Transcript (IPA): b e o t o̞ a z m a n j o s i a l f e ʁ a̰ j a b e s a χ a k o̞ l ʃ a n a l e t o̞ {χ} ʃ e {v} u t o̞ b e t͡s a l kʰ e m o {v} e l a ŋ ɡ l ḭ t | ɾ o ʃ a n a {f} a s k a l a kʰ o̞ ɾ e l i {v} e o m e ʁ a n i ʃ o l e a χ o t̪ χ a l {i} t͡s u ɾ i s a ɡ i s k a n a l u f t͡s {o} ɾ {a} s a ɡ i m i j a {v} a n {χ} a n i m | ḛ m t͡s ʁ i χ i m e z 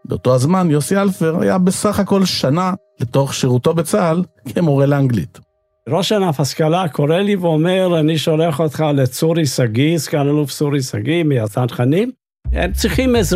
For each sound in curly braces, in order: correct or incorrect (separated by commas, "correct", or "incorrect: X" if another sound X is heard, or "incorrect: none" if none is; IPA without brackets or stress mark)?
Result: correct, incorrect: ʁ, incorrect: ʁ, correct, correct, incorrect: e, incorrect: u, incorrect: i, incorrect: z, correct